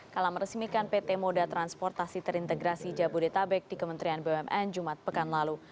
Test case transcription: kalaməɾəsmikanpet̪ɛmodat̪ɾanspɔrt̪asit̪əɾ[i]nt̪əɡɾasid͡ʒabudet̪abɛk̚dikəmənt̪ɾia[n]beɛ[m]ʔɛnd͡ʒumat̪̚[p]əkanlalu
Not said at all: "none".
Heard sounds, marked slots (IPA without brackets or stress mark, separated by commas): i, n, m, p